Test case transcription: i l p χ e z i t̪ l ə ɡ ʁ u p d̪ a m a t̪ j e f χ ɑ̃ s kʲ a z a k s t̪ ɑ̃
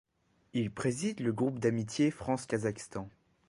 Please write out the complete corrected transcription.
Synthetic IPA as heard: i l p χ e z i d̪ l ə ɡ ʁ u p d̪ a m i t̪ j e f χ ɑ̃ s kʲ a z a k s t̪ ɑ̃